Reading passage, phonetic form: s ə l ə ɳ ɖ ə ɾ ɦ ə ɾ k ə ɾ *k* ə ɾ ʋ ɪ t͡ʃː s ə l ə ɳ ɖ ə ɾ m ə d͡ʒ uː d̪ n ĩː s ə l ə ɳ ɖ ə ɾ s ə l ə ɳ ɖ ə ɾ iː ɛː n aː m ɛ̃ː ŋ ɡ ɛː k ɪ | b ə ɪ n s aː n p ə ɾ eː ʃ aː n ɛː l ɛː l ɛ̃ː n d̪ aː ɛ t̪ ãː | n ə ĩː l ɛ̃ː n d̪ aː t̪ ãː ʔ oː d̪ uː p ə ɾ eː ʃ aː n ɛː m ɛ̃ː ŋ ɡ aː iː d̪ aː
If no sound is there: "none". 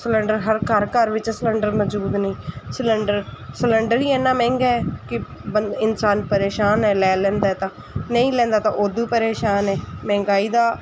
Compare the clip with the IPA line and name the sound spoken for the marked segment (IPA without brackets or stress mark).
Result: k